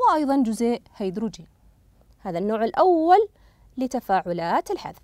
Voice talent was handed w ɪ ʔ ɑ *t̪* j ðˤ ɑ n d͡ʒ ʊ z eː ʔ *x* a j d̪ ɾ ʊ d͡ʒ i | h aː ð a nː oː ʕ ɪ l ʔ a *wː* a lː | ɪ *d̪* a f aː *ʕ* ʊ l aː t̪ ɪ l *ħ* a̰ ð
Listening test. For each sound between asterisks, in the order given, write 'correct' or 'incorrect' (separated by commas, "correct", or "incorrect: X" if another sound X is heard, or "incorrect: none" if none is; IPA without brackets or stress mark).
incorrect: none, incorrect: h, correct, incorrect: t̪, correct, correct